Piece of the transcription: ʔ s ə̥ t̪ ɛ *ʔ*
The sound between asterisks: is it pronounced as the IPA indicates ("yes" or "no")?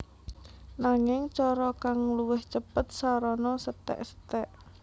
yes